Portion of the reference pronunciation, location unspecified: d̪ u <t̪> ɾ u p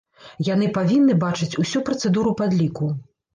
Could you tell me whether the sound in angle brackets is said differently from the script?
yes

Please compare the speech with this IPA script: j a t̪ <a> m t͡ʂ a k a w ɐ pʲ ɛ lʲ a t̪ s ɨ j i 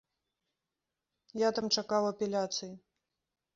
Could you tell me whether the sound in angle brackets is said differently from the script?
no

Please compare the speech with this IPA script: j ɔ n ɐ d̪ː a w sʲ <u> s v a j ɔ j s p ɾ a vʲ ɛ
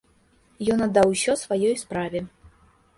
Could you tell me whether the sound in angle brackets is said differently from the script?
yes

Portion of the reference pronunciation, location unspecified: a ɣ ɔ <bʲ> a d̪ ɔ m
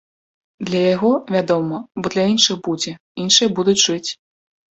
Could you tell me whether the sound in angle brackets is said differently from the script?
yes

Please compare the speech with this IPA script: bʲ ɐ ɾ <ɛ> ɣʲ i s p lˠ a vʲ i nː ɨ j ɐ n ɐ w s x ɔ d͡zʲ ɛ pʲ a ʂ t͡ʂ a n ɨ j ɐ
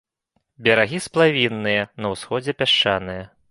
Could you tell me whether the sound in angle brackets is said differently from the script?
yes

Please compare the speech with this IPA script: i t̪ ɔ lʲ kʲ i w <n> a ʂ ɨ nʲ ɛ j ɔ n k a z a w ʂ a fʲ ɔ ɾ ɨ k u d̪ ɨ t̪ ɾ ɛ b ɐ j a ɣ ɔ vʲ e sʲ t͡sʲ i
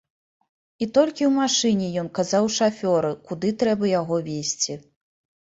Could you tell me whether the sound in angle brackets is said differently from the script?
yes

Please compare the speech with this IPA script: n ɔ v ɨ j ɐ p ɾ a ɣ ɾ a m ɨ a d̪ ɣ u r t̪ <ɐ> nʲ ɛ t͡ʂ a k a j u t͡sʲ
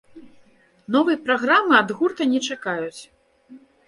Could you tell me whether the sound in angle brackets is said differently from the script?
no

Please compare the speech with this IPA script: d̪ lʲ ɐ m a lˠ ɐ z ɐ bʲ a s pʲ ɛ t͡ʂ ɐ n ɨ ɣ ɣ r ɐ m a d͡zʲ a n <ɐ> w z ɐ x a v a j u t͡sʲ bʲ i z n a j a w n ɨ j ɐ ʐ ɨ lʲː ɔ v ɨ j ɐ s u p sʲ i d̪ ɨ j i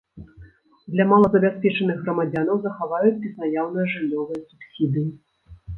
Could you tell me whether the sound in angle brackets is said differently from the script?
no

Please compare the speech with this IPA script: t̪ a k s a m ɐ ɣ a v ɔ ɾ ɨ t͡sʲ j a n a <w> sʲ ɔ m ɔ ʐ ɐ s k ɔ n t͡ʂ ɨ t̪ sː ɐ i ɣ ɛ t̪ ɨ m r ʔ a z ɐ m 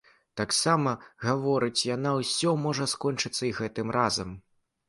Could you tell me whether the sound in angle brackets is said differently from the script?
no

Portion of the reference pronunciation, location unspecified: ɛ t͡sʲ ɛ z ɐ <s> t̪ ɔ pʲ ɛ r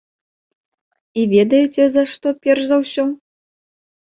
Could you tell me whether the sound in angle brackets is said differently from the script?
yes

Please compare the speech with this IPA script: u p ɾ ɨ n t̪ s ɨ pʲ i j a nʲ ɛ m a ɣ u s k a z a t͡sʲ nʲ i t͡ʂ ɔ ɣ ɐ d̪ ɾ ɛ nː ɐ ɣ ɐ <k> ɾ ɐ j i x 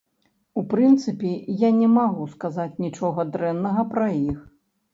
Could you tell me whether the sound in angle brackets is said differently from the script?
yes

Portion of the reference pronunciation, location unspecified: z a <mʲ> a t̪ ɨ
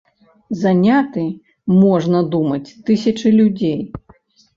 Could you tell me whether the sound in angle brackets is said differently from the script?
yes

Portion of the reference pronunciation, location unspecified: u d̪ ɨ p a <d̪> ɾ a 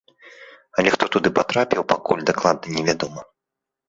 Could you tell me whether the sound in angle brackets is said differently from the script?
yes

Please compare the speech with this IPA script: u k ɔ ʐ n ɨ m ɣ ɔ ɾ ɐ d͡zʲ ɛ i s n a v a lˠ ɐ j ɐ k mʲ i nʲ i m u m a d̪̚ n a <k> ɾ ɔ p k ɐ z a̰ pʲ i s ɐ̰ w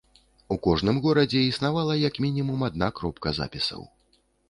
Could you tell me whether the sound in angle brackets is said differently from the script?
no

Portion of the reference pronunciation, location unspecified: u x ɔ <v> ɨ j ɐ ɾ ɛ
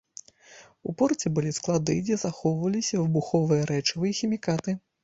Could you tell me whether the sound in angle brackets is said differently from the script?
no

